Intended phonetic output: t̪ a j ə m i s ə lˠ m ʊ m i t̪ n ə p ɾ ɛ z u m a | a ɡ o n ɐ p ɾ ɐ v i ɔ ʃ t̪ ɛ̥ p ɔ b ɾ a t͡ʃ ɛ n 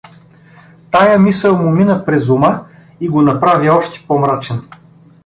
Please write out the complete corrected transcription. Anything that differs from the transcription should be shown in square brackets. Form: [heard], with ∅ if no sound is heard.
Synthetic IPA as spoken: t̪ a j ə m i s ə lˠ m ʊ m i [∅] n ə p ɾ ɛ z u m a | [i] ɡ o n ɐ p ɾ [a] v i ɔ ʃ t̪ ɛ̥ p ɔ [m] ɾ a t͡ʃ ɛ n

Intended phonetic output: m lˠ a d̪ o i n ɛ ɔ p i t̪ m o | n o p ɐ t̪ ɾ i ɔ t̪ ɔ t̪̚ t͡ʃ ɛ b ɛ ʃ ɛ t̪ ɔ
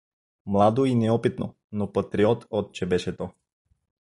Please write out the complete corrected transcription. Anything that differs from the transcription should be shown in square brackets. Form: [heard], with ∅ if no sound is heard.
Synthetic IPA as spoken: m lˠ a d̪ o i n ɛ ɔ p i t̪ [n] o | n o p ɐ t̪ ɾ i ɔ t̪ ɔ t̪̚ t͡ʃ ɛ b ɛ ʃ ɛ t̪ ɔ

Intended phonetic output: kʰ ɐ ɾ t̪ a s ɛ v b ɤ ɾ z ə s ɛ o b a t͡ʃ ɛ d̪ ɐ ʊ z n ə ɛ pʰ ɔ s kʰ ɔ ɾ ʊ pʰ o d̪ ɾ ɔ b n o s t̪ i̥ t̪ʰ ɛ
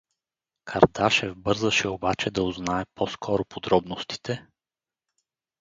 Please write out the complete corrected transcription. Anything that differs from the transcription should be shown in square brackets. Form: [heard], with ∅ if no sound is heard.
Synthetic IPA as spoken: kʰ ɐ ɾ [d̪] a [ʃ] ɛ v b ɤ ɾ z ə [ʃ] ɛ o b a t͡ʃ ɛ d̪ ɐ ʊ z n [a] ɛ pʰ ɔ s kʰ ɔ ɾ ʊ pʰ o d̪ ɾ ɔ b n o s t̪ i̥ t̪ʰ ɛ

